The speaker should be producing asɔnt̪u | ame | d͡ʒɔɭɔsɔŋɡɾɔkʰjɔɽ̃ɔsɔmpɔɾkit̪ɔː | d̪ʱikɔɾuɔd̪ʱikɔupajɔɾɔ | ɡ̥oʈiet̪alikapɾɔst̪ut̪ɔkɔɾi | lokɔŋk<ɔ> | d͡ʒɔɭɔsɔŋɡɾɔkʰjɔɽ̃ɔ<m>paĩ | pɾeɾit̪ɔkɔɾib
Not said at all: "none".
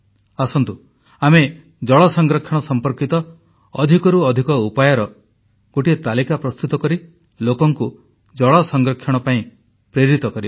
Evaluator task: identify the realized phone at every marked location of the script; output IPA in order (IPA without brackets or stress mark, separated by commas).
u, none